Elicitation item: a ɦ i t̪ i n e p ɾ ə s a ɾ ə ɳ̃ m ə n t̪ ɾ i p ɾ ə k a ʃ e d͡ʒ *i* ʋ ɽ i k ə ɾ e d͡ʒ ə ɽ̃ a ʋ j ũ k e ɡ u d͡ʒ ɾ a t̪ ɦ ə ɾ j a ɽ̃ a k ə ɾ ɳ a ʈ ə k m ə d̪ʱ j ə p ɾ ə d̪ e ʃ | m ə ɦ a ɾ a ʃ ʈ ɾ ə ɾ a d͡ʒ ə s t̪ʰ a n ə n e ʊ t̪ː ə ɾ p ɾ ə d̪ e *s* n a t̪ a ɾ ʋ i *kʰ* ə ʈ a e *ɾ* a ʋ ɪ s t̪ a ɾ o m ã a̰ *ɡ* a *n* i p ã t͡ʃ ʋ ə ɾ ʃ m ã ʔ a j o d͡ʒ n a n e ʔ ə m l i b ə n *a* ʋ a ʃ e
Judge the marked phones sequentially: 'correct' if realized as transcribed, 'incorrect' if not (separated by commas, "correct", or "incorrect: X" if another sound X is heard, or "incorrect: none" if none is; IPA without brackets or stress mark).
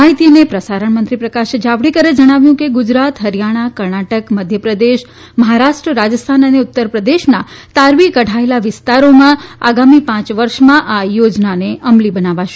incorrect: a, incorrect: ʃ, incorrect: k, incorrect: l, correct, incorrect: m, correct